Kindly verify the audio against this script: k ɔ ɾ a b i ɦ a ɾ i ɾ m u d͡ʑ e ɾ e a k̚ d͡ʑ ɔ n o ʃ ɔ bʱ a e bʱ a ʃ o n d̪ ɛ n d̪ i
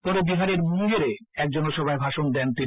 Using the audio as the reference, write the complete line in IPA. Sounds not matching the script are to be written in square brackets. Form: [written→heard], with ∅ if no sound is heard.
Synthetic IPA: [k→p] ɔ ɾ [a→e] b i ɦ a ɾ [i→e] ɾ m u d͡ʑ e ɾ e [a→ɛ] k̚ d͡ʑ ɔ n o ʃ ɔ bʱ a e bʱ a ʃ o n d̪ ɛ n [d̪→t̪] i